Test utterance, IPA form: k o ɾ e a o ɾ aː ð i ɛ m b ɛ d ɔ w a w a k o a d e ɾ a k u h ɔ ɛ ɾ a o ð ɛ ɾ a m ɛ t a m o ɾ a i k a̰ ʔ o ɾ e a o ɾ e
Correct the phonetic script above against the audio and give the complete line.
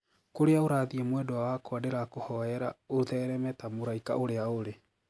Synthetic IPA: k o ɾ e a o ɾ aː ð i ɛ m w ɛ d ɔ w a w a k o a d e ɾ a k o h ɔ ɛ ɾ a o ð ɛ ɾ ɛ m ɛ t a m o ɾ a i k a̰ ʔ o ɾ e a o ɾ e